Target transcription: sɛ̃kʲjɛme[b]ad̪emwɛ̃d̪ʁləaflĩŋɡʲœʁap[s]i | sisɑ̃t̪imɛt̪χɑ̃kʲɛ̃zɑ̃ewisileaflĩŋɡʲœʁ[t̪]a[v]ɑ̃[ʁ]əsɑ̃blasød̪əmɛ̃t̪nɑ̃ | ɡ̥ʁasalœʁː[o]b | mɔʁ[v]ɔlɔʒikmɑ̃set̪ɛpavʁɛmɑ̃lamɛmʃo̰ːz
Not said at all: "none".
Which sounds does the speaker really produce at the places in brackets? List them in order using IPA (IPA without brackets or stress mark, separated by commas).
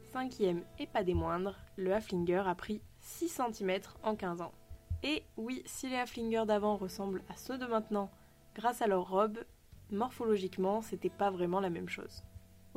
p, χ, d̪, v, ʁ, ɔ, f